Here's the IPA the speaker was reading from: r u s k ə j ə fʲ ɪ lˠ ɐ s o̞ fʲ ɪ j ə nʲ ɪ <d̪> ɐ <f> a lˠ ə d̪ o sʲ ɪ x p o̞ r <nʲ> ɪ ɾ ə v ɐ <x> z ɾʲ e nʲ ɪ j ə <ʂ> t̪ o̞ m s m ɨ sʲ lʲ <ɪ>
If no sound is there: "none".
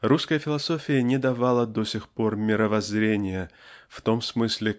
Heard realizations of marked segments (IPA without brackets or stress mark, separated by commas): d̪, v, mʲ, none, f, ɪ